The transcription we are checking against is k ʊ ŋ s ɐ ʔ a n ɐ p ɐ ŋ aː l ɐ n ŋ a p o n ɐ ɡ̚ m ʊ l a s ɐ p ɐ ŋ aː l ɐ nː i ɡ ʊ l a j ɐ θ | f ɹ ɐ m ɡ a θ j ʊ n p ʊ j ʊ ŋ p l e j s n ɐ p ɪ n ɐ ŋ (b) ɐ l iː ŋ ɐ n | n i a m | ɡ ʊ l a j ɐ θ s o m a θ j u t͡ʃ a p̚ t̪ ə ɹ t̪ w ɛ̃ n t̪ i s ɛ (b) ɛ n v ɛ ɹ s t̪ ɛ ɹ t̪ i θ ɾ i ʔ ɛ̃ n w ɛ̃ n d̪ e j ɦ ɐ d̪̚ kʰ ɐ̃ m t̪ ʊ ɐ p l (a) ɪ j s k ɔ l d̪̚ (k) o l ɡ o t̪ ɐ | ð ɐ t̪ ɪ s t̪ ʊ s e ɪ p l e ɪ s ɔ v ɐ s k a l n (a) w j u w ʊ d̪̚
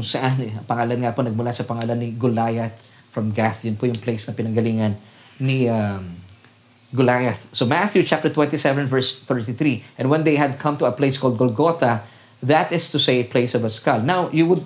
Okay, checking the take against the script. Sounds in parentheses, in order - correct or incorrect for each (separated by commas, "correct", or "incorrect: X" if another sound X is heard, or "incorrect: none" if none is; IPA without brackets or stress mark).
incorrect: ɡ, incorrect: v, incorrect: e, incorrect: ɡ, correct